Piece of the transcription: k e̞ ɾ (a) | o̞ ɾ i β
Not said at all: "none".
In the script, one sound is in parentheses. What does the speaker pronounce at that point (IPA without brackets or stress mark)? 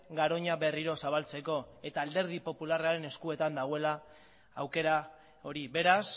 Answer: a